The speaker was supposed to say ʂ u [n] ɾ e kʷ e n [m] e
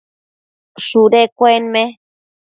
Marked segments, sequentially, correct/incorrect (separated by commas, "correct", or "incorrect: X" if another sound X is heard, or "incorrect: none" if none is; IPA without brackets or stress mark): incorrect: none, correct